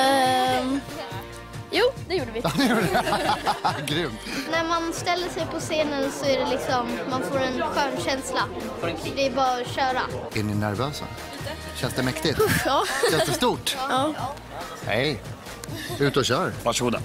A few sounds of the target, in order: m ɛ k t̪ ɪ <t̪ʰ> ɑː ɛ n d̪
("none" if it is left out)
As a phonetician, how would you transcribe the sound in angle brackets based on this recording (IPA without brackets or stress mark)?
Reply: t̪